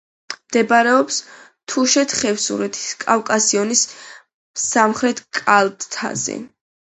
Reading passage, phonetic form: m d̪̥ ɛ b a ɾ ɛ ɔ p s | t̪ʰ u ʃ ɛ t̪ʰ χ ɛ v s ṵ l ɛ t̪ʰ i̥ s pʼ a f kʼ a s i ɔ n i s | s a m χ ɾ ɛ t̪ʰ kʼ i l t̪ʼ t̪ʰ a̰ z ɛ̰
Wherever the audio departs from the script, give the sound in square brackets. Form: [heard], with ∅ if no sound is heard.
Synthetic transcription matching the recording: m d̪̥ ɛ b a ɾ ɛ ɔ p s | t̪ʰ u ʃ ɛ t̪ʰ χ ɛ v s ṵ [ɾ] ɛ t̪ʰ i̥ s [kʼ] a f kʼ a s i ɔ n i s | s a m χ ɾ ɛ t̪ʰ kʼ [a] l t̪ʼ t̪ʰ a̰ z ɛ̰